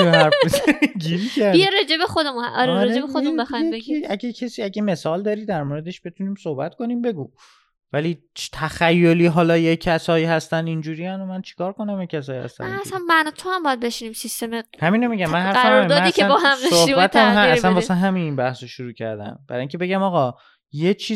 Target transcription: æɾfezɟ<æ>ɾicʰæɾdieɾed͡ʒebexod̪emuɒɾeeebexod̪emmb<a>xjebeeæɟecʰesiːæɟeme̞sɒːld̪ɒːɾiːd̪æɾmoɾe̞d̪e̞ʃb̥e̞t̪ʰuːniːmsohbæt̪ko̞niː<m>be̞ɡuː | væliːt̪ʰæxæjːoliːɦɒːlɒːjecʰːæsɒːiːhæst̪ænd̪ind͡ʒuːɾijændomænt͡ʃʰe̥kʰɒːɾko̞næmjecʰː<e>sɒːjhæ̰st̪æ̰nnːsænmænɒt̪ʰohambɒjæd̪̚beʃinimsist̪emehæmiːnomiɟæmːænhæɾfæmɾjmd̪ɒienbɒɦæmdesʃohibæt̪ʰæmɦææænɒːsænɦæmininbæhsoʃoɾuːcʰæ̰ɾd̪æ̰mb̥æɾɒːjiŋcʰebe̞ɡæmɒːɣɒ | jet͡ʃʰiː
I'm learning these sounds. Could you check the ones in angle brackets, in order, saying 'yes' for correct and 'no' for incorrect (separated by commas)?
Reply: no, no, yes, no